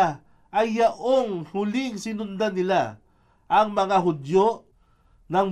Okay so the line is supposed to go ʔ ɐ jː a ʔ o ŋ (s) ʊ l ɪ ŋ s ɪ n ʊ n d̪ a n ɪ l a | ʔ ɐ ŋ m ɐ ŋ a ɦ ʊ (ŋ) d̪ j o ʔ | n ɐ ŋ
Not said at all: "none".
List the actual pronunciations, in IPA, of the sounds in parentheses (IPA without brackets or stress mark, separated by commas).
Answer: h, none